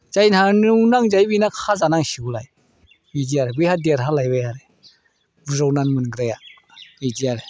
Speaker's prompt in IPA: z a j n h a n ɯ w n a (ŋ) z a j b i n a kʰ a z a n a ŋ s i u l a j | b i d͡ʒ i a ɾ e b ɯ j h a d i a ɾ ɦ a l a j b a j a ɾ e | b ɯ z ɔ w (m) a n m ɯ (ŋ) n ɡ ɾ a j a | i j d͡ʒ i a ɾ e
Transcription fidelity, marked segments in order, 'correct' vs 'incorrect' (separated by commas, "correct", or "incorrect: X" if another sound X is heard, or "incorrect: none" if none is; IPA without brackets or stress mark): correct, incorrect: n, incorrect: none